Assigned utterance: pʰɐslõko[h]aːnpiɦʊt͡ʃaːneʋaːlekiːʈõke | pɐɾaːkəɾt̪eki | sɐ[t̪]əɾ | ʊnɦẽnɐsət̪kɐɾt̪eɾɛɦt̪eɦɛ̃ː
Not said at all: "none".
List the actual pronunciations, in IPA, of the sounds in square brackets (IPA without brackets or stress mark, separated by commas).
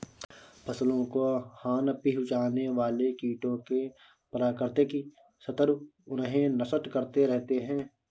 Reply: h, t̪